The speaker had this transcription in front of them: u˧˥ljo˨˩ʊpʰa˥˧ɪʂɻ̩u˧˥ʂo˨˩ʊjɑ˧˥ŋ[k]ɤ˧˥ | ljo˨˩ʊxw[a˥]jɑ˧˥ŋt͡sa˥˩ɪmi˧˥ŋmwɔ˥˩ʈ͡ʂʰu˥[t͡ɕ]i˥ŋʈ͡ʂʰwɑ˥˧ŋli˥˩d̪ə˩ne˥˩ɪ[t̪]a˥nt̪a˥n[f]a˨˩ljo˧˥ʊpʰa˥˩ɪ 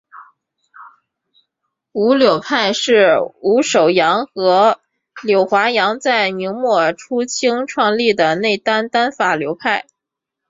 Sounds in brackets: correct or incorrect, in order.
incorrect: x, incorrect: a˧˥, incorrect: t͡ɕʰ, correct, correct

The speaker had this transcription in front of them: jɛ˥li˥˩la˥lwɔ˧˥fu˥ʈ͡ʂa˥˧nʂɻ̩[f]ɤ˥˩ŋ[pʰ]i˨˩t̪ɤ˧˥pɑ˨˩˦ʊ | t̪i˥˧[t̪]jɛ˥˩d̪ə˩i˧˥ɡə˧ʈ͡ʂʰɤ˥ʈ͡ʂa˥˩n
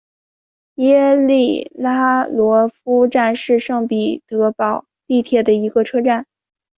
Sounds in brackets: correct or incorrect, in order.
incorrect: ʂ, incorrect: p, incorrect: t̪ʰ

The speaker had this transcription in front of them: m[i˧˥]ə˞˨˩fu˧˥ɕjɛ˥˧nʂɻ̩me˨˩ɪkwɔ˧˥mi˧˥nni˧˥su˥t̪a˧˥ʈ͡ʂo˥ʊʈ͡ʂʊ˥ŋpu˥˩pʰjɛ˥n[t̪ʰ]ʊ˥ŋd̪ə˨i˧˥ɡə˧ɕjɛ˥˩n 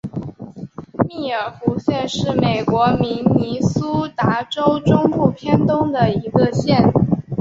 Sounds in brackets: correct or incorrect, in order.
incorrect: i˥˩, incorrect: t̪

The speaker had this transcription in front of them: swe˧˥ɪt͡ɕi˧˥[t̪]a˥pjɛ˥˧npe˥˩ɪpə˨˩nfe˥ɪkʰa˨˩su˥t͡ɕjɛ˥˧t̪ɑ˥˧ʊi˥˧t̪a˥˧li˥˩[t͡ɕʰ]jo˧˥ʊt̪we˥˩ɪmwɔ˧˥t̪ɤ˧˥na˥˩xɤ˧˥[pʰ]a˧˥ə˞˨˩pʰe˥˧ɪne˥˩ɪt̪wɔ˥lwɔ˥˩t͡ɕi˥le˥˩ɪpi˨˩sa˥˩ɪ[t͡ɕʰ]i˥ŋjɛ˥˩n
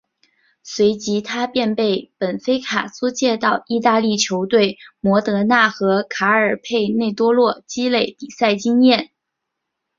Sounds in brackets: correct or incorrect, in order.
incorrect: t̪ʰ, correct, incorrect: kʰ, incorrect: t͡ɕ

